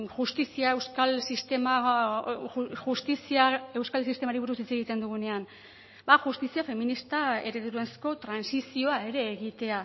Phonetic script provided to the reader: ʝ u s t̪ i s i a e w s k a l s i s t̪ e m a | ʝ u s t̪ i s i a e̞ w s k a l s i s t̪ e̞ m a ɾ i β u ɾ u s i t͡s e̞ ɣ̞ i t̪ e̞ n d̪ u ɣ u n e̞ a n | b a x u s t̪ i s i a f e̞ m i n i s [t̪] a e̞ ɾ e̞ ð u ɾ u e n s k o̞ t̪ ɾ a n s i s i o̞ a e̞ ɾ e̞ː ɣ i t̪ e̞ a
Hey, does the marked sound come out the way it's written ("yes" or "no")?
yes